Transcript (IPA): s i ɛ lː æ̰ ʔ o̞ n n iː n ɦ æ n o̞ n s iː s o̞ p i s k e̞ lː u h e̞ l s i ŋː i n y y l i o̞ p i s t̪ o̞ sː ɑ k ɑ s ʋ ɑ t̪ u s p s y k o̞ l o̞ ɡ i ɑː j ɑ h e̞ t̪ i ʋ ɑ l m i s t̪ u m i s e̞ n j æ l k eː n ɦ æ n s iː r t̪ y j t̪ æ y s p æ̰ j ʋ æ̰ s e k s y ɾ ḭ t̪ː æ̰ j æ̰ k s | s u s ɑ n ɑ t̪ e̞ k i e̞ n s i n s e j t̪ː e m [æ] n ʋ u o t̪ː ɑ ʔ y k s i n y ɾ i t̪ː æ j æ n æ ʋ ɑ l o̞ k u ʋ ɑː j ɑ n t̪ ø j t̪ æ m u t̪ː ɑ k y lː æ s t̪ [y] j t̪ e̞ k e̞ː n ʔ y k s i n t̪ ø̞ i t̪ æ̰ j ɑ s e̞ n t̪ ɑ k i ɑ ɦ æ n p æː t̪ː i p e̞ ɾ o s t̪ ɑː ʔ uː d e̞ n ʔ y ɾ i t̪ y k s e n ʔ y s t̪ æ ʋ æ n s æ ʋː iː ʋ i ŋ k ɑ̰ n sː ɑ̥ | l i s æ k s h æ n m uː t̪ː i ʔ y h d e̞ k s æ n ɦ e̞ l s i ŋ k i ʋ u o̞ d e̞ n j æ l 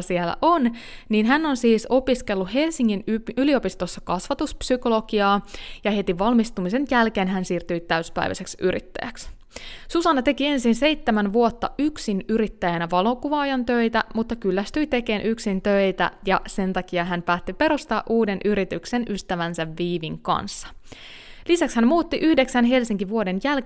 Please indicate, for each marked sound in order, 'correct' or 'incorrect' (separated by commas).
correct, correct